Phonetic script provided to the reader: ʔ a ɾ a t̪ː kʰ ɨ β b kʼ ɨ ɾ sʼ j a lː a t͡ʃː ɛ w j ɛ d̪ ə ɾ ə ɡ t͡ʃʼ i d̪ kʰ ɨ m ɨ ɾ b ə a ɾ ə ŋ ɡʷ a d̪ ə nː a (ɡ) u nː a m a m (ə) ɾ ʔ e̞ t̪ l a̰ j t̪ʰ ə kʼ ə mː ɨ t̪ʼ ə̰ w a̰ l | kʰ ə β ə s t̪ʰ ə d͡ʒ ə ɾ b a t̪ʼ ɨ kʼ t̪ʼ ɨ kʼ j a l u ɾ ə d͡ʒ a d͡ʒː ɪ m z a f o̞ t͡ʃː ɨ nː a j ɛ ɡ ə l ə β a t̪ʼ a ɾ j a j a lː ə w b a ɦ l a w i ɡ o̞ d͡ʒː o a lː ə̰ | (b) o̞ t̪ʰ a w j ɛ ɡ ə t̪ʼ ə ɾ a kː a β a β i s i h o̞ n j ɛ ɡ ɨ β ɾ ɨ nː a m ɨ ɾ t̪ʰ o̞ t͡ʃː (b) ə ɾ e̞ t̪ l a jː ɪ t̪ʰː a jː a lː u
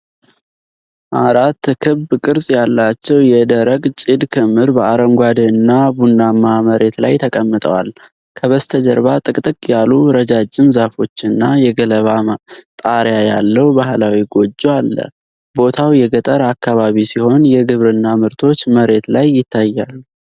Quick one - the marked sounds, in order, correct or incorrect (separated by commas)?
incorrect, correct, correct, incorrect